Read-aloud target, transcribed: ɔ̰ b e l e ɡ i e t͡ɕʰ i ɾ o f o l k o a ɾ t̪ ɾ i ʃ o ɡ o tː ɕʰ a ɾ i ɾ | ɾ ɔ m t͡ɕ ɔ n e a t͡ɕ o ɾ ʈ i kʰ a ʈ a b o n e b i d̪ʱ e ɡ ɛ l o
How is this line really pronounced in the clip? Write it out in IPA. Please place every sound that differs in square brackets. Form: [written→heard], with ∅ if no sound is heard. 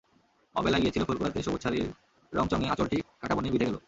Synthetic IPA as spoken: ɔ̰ b e l [e→a] ɡ i e t͡ɕʰ i [ɾ→l] o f o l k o a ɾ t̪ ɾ i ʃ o [ɡ→b] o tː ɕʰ a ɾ i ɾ | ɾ ɔ [m→ŋ] t͡ɕ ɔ [n→ŋ] e a t͡ɕ o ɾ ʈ i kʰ a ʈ a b o n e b i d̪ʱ e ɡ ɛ l o